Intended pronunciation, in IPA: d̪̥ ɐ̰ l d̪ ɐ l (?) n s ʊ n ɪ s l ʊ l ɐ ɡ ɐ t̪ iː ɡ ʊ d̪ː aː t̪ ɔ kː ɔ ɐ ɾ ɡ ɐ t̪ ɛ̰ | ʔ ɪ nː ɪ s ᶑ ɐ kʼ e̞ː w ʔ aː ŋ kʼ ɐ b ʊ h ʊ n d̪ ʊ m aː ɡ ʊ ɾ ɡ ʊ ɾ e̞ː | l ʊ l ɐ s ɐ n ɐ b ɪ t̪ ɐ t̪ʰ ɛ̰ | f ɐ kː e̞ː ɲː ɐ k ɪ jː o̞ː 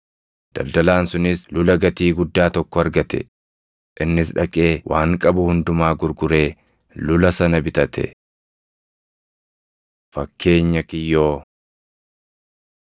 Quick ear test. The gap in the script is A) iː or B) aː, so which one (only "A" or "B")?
B